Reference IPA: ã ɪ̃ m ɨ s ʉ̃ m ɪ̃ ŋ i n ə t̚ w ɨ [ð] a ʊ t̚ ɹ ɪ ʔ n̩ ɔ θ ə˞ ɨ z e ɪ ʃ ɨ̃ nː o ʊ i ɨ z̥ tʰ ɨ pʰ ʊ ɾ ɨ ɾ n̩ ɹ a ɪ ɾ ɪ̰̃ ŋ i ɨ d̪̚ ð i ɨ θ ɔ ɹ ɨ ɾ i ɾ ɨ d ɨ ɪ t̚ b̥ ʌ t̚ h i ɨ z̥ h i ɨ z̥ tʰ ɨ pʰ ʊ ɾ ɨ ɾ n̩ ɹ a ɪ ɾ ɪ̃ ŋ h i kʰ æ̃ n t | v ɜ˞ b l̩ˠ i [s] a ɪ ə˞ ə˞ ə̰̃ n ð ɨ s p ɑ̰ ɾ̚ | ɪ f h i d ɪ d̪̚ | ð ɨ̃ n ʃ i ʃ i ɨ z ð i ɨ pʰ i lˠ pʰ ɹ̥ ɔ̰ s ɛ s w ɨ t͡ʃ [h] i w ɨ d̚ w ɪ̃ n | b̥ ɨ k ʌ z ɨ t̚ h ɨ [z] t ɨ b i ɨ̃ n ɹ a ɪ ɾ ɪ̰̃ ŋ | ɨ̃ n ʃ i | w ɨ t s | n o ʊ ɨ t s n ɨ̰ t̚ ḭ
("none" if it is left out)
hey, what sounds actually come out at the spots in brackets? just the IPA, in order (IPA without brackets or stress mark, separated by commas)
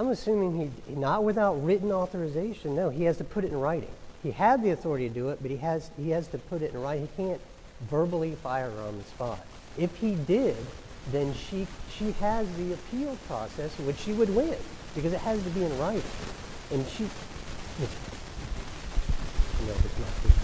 θ, f, ʃ, z